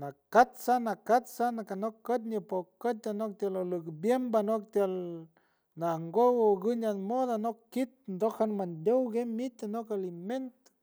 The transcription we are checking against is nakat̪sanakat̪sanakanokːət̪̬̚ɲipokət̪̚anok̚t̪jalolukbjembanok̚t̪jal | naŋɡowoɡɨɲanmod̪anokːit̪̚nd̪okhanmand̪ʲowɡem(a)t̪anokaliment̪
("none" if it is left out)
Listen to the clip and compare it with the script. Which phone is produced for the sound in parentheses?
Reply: i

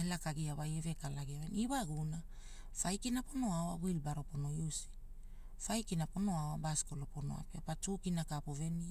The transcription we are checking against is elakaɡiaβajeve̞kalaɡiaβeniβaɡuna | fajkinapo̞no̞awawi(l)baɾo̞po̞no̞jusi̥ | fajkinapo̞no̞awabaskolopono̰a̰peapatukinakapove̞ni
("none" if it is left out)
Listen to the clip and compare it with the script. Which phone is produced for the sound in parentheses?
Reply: l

